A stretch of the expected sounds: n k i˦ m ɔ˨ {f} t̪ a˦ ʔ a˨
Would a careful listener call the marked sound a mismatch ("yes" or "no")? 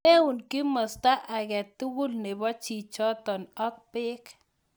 yes